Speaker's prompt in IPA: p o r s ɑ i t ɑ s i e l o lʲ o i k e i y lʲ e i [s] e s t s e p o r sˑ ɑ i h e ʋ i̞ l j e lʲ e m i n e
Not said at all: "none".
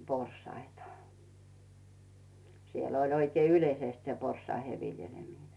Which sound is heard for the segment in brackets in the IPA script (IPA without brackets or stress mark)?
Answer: s